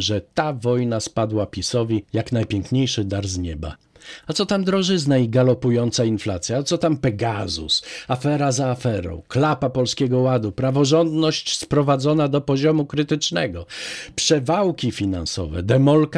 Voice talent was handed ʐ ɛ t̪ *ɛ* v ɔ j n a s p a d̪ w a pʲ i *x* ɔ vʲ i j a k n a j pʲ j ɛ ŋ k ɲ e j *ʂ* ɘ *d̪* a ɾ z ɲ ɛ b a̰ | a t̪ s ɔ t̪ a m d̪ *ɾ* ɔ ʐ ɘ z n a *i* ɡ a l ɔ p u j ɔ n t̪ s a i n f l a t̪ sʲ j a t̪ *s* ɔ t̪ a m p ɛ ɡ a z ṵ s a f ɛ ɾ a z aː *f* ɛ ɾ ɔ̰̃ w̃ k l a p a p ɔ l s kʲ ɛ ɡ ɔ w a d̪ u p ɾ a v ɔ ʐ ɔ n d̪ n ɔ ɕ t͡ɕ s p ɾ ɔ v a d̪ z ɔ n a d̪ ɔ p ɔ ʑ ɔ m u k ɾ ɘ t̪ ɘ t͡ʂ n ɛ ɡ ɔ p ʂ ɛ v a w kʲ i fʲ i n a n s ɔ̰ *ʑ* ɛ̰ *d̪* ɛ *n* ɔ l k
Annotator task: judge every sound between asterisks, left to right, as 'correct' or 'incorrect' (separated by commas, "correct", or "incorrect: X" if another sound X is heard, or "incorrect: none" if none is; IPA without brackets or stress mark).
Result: incorrect: a, incorrect: s, correct, correct, correct, correct, correct, correct, incorrect: v, correct, incorrect: m